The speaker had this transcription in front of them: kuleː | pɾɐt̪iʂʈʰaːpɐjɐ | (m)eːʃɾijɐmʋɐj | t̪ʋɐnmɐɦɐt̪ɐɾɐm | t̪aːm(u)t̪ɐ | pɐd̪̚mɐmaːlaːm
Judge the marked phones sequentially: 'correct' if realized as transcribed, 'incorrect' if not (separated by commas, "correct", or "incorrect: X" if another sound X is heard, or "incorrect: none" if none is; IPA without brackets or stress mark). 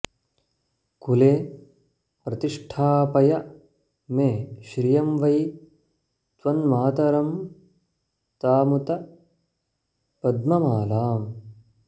correct, correct